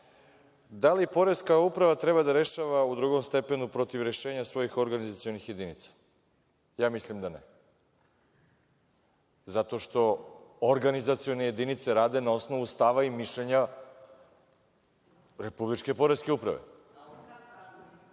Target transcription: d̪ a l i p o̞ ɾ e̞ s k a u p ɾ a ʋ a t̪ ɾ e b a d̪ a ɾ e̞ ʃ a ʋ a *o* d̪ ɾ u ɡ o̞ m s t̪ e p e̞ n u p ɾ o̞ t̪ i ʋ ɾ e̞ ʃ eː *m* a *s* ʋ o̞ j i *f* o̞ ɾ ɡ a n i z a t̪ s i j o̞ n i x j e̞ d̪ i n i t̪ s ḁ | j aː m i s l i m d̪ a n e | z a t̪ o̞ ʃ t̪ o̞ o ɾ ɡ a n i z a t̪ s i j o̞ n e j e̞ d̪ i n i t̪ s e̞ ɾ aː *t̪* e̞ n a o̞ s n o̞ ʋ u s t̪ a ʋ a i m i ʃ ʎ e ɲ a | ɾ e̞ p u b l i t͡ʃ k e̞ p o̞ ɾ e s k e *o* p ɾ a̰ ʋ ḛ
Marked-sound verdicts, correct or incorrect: incorrect: u, incorrect: ɲ, correct, incorrect: x, incorrect: d̪, incorrect: u

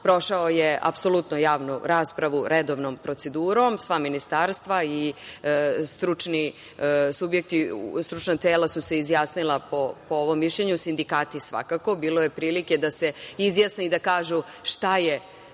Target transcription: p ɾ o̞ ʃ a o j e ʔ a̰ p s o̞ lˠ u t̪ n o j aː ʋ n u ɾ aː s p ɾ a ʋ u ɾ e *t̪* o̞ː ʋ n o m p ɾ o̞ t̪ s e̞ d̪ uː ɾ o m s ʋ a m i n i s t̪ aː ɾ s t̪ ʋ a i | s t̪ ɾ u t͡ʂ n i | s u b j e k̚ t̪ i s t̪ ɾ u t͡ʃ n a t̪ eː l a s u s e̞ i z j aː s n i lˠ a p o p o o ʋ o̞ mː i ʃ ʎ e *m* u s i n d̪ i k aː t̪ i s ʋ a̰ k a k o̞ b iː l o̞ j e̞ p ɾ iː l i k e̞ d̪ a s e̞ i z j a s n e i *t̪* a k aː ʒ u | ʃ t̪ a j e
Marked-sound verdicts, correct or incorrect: incorrect: d̪, incorrect: ɲ, incorrect: d̪

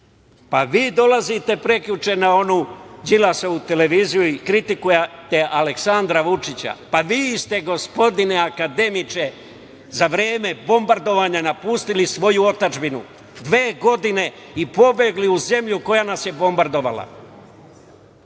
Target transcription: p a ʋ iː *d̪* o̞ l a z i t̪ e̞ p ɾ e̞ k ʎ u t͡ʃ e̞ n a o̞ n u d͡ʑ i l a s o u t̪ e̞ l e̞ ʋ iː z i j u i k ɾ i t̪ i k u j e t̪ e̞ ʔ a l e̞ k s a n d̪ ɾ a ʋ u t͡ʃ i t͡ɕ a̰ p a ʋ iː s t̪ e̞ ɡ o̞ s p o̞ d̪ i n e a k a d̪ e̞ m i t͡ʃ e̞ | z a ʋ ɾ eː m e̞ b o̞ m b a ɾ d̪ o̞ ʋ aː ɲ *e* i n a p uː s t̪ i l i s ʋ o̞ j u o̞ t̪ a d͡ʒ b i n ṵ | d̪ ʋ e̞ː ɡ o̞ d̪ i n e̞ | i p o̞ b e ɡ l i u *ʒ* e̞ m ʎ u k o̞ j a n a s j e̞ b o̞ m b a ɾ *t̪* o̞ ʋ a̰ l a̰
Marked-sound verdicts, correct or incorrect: correct, incorrect: a, incorrect: z, incorrect: d̪

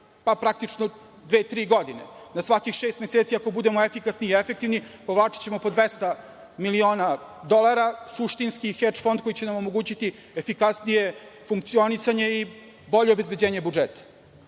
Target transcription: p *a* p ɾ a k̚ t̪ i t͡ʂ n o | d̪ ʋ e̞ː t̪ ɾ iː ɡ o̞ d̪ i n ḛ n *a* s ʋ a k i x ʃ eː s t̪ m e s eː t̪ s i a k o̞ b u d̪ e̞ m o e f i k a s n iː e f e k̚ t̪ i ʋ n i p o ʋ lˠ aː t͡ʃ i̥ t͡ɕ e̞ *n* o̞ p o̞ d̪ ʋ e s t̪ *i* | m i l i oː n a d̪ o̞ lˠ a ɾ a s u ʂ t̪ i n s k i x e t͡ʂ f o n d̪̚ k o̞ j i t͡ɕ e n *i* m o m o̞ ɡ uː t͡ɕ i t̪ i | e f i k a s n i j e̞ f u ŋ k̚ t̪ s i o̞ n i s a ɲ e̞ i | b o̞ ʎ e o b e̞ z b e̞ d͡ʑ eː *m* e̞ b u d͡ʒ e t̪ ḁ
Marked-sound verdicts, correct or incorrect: correct, correct, incorrect: m, incorrect: a, incorrect: a, incorrect: ɲ

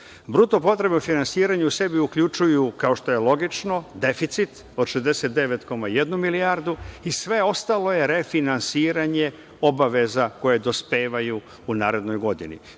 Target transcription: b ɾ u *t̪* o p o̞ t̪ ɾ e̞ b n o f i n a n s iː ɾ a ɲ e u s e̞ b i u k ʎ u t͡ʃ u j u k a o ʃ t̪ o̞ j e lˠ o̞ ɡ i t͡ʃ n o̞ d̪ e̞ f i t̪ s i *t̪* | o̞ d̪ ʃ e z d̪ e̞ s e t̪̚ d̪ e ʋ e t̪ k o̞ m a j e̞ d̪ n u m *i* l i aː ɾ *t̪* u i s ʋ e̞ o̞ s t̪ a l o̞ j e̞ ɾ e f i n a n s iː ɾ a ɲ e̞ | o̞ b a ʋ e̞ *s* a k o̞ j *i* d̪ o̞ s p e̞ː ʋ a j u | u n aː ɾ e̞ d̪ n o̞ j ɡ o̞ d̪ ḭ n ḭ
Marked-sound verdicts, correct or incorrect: correct, correct, correct, incorrect: d̪, incorrect: z, incorrect: e

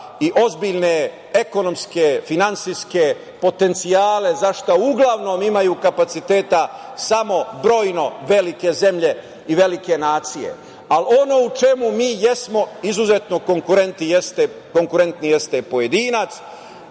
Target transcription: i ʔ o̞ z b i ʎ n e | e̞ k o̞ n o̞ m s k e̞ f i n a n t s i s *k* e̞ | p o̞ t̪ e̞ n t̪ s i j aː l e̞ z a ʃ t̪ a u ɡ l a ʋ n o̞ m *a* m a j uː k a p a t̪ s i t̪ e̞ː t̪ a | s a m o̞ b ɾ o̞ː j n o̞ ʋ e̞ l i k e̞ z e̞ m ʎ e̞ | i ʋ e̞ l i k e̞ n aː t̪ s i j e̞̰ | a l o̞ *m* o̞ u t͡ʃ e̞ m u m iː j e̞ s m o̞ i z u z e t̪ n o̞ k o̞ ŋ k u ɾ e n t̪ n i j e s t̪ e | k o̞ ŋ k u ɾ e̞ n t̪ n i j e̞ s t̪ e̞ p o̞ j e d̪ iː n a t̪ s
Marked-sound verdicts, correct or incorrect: correct, incorrect: i, incorrect: n

